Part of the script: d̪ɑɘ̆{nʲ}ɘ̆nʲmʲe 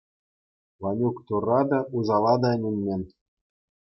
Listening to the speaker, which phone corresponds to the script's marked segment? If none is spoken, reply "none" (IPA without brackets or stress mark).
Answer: nʲ